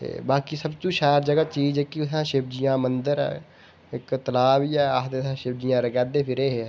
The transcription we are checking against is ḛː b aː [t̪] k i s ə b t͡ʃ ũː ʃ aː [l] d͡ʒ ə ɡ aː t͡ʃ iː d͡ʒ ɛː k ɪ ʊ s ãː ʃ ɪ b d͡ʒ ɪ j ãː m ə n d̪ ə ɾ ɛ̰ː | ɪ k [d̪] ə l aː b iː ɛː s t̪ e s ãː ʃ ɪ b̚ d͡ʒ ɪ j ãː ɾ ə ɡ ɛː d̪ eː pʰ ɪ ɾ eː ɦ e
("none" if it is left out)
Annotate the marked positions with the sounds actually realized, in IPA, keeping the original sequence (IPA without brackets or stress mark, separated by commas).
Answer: none, ɾ, t̪